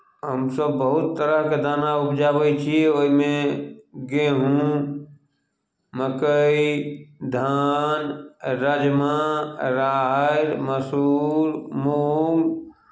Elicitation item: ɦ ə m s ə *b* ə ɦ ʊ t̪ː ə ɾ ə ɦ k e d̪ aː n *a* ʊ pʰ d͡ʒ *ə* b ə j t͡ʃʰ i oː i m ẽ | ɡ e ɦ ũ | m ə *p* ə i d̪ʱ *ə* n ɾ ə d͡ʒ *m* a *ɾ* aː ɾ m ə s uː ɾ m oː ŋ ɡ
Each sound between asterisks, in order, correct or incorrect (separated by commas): incorrect, correct, incorrect, incorrect, incorrect, correct, correct